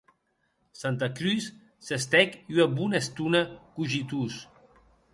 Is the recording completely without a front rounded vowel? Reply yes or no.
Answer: no